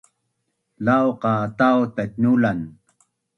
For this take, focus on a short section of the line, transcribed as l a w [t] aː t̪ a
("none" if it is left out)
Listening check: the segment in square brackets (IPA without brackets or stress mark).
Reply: q